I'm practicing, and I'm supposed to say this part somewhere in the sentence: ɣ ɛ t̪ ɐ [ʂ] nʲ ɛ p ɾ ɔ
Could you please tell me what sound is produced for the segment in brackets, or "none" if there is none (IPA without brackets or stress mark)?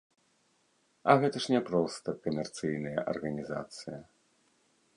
ʂ